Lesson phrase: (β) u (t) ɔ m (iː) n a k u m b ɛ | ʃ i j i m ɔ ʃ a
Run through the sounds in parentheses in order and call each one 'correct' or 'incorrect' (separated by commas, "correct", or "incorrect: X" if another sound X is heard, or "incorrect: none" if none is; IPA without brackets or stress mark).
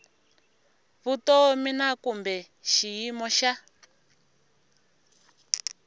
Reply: correct, correct, incorrect: i